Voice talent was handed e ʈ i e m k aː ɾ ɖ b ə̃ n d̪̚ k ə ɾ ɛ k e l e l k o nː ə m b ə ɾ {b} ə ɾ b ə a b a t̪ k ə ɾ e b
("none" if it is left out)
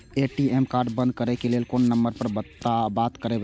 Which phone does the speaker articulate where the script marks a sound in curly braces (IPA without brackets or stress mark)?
p